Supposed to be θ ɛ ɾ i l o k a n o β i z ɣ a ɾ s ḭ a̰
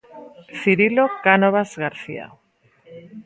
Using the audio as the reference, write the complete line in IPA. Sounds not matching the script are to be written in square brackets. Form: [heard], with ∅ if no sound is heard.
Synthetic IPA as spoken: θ [i] ɾ i l o k a n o β [a] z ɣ a ɾ [θ] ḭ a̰